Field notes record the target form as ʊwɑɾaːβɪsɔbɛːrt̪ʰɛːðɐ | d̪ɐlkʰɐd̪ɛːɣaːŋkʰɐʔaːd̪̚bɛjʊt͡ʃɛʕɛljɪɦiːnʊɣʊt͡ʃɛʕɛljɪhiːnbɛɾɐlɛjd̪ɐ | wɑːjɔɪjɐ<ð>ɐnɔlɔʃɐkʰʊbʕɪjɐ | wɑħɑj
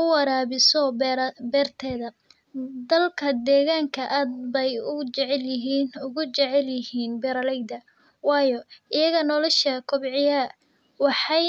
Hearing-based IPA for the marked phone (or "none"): ɣ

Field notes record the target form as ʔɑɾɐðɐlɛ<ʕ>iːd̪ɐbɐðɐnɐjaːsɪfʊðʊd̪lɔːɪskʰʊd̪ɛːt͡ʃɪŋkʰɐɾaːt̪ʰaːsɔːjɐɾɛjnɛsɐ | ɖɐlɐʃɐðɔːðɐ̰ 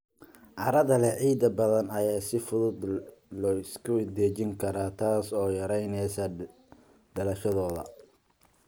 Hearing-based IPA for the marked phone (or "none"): ʕ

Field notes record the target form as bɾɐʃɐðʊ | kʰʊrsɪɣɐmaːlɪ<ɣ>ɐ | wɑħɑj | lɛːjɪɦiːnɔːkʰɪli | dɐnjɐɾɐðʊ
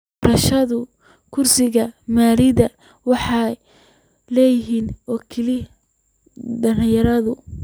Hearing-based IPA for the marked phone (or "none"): ð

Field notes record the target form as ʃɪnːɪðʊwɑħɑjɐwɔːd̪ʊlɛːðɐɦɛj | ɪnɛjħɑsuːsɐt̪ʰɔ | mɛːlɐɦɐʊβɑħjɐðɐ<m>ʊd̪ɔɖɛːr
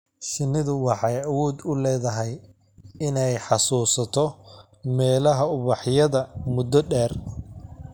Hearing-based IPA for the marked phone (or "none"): m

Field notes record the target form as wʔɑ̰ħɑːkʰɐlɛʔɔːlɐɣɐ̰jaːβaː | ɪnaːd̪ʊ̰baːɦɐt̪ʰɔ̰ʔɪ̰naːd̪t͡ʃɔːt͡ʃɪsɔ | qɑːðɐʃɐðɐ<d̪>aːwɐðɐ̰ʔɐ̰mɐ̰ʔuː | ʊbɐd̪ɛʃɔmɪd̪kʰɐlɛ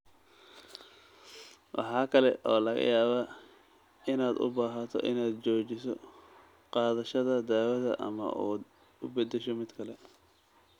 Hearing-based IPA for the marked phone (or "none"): d̪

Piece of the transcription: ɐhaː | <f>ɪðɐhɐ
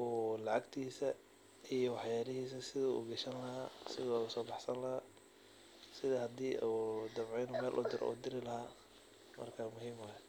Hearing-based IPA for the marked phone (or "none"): s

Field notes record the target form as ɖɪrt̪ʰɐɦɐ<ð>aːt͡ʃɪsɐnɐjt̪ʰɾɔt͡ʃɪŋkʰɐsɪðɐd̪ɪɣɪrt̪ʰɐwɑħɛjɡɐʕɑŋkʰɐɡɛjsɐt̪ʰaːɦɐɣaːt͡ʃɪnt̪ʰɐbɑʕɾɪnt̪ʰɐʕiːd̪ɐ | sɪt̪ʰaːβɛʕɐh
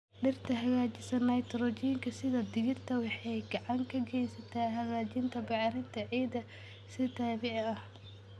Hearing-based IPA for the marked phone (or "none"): ɣ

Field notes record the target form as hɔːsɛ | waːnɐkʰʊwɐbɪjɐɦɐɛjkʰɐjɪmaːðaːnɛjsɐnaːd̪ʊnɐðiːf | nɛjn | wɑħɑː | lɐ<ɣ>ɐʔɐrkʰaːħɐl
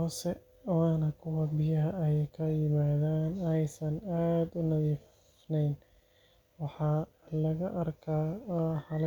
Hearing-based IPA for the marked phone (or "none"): ɣ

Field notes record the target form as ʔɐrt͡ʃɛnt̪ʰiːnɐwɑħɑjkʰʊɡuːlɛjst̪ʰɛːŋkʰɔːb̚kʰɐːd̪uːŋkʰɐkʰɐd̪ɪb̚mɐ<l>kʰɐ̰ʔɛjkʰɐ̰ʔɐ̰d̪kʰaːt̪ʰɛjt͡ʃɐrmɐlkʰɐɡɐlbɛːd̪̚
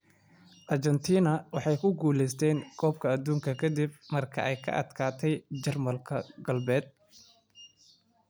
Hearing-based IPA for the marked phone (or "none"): r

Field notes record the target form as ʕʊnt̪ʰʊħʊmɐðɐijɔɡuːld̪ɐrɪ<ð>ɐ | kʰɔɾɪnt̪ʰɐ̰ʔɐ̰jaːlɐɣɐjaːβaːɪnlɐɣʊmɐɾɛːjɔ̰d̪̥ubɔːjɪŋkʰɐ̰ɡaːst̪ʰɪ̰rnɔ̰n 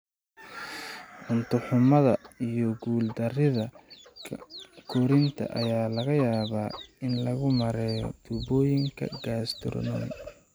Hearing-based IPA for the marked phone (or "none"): ð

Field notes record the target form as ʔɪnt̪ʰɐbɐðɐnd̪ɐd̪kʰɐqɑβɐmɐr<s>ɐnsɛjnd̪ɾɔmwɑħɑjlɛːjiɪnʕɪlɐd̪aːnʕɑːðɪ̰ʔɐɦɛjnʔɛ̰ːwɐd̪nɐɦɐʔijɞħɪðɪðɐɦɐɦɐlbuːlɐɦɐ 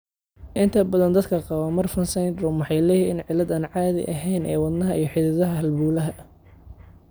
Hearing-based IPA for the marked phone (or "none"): f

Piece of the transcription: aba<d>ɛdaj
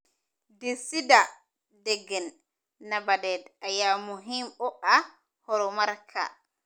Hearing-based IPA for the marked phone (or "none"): d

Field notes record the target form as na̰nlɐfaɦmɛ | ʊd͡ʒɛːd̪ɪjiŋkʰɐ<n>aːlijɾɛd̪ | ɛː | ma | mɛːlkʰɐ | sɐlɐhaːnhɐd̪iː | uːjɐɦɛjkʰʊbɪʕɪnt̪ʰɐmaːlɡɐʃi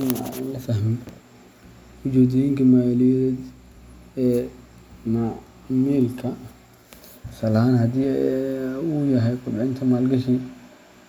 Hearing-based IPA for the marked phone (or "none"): m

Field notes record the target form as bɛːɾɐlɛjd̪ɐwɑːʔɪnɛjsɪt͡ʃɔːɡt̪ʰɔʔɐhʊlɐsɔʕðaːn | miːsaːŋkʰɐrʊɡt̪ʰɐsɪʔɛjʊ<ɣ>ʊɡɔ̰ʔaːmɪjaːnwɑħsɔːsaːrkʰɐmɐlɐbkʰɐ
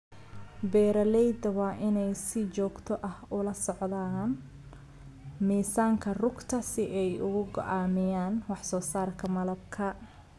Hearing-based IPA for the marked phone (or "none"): ɣ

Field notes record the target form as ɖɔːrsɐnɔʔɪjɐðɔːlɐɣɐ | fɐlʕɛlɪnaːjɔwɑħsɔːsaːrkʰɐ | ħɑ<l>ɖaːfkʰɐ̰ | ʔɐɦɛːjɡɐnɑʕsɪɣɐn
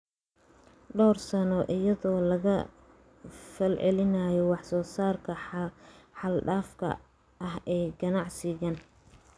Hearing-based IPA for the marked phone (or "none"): l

